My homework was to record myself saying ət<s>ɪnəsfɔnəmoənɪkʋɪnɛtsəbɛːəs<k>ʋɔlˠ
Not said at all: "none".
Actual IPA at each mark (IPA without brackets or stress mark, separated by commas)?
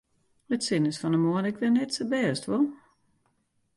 s, t